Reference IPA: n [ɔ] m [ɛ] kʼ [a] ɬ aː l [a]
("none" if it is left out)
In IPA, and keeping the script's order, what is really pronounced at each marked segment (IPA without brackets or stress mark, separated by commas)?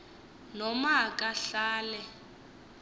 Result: ɔ, a, a, ɛ